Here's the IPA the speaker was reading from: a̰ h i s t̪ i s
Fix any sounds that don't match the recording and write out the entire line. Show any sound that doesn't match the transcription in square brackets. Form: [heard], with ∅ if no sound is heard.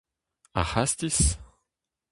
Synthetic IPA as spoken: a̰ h [a] s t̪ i s